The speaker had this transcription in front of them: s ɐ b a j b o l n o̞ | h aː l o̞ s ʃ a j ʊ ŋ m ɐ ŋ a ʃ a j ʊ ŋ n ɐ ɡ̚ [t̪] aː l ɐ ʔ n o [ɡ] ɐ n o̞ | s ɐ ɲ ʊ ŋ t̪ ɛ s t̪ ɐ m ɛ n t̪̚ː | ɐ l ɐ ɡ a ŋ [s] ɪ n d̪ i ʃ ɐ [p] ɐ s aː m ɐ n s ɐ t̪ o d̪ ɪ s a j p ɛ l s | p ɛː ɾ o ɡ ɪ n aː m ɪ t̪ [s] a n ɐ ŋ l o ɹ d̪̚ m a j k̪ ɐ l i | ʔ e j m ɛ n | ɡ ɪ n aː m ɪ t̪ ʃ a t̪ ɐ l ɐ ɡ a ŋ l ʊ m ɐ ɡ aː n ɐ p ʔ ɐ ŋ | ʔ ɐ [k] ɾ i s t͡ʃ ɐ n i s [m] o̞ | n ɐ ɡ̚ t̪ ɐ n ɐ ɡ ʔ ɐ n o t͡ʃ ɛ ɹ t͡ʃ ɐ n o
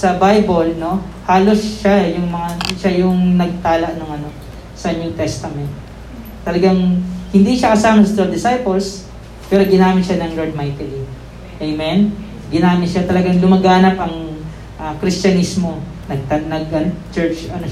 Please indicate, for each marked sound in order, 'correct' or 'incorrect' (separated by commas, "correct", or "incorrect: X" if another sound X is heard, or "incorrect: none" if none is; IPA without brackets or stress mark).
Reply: correct, incorrect: ŋ, incorrect: h, incorrect: k, incorrect: ʃ, correct, correct